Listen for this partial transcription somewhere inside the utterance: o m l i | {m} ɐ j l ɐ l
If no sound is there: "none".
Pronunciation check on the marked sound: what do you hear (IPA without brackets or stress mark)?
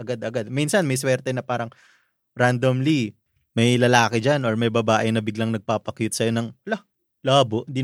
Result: m